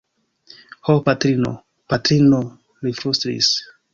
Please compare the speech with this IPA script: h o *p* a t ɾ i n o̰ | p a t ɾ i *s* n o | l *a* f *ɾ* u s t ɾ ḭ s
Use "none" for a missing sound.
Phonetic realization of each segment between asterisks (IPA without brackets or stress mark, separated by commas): p, none, i, ɾ